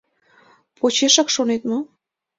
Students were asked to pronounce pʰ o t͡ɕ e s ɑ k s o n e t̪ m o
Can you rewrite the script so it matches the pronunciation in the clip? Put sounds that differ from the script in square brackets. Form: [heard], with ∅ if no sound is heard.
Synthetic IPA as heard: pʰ o t͡ɕ e [ʃ] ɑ k [ʃ] o n e t̪ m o